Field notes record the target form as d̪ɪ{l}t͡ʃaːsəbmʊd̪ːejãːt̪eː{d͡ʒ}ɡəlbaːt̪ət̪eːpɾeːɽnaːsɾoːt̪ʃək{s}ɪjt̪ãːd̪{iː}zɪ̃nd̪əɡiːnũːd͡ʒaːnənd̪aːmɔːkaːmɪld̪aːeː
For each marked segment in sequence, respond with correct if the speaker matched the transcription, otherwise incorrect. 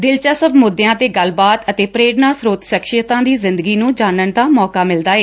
correct, incorrect: none, incorrect: ʃ, correct

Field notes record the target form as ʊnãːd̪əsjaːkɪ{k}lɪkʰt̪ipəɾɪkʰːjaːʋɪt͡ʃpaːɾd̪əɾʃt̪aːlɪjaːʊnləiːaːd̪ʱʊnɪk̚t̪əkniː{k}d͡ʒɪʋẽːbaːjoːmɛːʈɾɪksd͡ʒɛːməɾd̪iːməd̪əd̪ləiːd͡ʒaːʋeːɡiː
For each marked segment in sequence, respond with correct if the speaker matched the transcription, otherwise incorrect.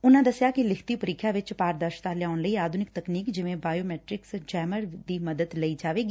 incorrect: none, correct

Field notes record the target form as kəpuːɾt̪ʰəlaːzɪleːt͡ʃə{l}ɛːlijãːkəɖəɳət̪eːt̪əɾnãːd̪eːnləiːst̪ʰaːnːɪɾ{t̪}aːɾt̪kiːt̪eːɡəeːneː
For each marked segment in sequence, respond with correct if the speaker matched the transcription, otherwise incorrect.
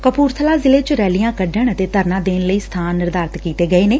incorrect: ɾ, incorrect: d̪

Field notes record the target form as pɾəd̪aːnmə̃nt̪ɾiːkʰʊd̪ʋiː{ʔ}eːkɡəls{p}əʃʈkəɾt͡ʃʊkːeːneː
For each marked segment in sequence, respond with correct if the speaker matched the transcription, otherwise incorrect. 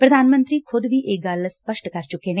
correct, correct

